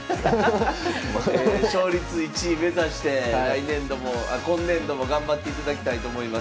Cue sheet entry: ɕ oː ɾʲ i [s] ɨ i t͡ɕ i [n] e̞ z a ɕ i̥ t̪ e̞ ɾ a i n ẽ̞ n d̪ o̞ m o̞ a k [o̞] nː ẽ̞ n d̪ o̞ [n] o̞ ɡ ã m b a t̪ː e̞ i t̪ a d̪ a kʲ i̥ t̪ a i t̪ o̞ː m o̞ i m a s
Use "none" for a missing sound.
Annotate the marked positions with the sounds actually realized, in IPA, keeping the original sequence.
t͡s, m, õ̞, m

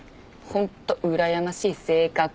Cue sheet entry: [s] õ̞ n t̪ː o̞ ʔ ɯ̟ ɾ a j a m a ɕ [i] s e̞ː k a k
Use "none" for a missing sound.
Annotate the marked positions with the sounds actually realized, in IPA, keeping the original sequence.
h, iː

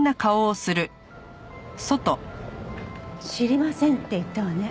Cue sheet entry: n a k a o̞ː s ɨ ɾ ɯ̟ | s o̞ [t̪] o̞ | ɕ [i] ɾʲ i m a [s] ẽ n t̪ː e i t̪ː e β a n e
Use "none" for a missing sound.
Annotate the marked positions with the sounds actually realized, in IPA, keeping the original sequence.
t̪, i, s

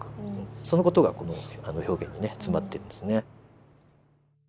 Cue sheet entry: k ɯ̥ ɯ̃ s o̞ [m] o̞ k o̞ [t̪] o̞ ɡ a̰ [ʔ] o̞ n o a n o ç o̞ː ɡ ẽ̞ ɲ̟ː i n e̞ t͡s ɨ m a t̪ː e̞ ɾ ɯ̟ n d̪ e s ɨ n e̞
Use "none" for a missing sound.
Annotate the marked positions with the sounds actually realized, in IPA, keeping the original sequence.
n, t̪, k

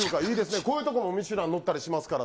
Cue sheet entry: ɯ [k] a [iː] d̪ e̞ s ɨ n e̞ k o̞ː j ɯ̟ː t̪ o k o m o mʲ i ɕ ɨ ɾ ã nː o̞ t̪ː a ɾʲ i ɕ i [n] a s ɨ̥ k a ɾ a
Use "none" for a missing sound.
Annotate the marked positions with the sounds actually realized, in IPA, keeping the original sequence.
k, iː, m

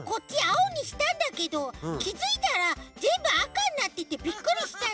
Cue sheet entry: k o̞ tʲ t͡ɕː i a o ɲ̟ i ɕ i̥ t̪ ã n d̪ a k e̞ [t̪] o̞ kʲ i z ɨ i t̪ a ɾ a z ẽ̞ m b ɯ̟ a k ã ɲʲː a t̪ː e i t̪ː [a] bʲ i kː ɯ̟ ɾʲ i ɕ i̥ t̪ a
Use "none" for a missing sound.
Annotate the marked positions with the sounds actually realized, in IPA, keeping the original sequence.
d̪, e

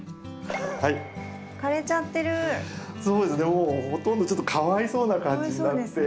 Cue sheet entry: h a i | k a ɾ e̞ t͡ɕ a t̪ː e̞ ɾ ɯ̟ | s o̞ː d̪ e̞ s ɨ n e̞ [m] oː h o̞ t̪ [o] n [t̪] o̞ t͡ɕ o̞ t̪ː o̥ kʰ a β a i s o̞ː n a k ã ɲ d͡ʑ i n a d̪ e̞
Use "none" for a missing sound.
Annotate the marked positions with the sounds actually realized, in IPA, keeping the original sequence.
m, õ, d̪

